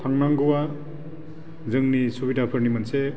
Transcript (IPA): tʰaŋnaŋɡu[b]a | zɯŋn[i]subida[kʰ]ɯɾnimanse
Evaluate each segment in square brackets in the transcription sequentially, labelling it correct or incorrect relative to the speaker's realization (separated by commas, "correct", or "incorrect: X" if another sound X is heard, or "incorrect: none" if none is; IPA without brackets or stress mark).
incorrect: w, correct, incorrect: pʰ